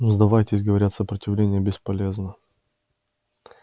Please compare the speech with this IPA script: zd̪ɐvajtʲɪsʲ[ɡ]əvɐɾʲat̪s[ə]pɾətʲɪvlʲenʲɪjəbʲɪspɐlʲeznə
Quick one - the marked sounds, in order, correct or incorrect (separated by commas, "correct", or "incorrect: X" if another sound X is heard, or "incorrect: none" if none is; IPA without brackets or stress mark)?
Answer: correct, correct